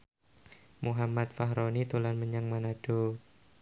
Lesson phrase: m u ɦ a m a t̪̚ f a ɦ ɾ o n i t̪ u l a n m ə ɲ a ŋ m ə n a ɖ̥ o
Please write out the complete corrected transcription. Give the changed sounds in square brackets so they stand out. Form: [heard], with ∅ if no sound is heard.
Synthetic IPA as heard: m u ɦ a m a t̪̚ f a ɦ ɾ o n i t̪ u l a n m ə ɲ a ŋ m [a] n a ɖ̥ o